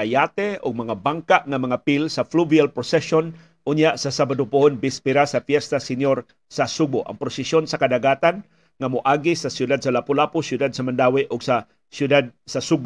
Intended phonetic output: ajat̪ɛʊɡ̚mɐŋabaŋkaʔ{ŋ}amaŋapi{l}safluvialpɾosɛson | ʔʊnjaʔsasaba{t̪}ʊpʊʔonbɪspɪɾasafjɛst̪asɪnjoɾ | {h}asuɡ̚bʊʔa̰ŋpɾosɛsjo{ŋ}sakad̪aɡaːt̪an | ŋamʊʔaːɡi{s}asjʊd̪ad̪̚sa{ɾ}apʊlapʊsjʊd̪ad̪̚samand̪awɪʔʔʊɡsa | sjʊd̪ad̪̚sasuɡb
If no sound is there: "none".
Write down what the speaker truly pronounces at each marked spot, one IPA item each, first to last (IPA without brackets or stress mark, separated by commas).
ŋ, l, d̪, s, n, s, l